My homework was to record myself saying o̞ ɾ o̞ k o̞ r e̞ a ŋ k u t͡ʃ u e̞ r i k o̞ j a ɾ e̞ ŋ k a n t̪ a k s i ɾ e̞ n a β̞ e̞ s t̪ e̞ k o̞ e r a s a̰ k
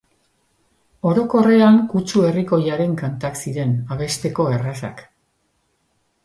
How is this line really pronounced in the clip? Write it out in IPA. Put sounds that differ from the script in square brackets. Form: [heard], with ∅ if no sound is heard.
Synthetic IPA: o̞ ɾ o̞ k o̞ r e̞ a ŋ k u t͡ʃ u e̞ r i k o̞ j a ɾ e̞ ŋ k a n t̪ a k s i ɾ e̞ n a β̞ e̞ s t̪ e̞ k o̞ e r a s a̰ k